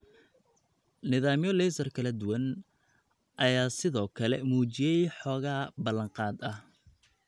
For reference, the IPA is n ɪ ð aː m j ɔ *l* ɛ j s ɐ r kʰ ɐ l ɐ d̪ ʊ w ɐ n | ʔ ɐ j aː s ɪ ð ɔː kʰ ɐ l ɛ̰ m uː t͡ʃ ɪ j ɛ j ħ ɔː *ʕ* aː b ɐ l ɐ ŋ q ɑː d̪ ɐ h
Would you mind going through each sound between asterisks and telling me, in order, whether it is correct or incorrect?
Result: correct, incorrect: ɣ

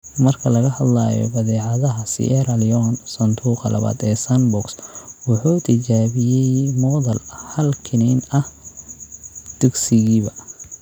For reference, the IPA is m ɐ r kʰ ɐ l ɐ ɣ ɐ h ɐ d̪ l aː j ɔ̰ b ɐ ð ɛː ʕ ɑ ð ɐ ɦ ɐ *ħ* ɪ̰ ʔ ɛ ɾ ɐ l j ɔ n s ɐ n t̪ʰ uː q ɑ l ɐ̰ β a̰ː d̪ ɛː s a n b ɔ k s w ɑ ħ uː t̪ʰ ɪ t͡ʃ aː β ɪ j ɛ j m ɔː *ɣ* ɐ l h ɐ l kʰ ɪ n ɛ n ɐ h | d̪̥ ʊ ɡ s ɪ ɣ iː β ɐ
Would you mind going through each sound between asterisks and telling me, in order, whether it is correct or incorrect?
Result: incorrect: s, incorrect: ð

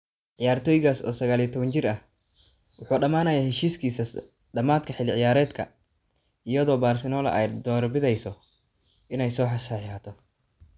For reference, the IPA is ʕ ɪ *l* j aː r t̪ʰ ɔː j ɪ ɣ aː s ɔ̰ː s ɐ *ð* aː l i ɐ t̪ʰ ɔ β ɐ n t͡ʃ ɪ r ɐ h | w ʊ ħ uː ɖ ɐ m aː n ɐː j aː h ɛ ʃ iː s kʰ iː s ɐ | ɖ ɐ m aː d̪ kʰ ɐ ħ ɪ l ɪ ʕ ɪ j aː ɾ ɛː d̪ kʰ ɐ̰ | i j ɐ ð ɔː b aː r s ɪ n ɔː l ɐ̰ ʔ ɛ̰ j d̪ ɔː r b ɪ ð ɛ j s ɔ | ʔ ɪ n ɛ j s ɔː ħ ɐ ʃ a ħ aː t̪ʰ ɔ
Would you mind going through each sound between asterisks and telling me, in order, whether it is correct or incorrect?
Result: incorrect: none, incorrect: ɣ

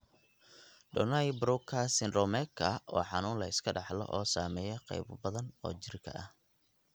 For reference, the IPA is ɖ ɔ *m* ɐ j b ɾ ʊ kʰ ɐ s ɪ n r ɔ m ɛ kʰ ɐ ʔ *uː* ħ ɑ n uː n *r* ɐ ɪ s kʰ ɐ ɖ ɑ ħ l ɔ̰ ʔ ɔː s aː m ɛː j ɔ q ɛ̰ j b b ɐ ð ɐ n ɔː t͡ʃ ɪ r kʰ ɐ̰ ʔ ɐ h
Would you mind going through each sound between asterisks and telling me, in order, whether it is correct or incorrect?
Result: incorrect: n, incorrect: ɔː, incorrect: l

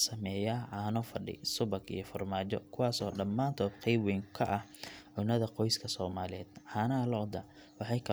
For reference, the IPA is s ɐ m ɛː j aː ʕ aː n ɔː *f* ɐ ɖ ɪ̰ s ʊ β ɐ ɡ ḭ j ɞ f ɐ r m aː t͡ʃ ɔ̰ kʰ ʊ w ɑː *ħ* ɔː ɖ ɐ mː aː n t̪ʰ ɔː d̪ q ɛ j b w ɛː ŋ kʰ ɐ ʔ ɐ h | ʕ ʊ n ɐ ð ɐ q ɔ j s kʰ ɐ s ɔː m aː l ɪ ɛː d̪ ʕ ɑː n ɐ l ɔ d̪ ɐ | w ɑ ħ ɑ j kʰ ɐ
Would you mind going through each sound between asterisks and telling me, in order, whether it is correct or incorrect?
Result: correct, incorrect: s

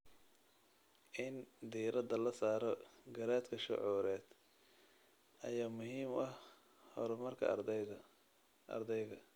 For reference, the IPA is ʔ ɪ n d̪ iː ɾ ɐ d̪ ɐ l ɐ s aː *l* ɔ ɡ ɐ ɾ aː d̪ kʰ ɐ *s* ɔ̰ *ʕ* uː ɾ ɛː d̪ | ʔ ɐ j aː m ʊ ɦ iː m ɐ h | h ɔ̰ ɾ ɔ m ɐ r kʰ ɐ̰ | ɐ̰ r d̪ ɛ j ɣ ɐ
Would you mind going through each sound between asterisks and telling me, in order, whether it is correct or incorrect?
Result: incorrect: ɾ, incorrect: ʃ, correct

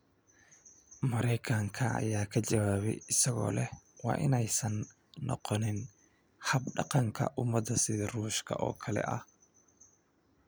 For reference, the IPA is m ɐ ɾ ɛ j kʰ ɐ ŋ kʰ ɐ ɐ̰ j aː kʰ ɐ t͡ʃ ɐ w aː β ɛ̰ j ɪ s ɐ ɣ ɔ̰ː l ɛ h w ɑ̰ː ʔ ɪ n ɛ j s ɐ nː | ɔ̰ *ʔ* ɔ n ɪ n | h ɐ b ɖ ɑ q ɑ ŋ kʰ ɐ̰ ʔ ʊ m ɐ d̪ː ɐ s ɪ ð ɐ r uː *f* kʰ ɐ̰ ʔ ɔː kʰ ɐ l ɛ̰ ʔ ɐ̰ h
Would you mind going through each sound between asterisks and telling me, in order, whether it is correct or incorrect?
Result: incorrect: q, incorrect: ʃ

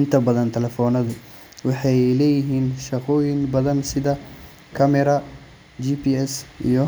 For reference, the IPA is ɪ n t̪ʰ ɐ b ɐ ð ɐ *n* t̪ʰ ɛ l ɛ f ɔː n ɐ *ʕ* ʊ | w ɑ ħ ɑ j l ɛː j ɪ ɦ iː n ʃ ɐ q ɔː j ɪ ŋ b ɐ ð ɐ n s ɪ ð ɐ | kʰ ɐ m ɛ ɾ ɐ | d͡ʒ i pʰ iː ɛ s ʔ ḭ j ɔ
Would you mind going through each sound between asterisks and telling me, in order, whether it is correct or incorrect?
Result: correct, incorrect: ð

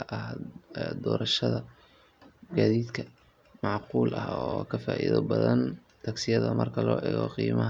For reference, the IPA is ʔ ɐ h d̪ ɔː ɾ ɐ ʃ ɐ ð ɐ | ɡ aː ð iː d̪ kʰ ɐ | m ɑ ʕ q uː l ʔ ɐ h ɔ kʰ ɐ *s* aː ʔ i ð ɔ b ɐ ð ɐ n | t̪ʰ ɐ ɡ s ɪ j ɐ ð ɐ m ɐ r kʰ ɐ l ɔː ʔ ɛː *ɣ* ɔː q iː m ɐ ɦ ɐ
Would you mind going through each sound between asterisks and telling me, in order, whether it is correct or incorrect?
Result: incorrect: f, correct

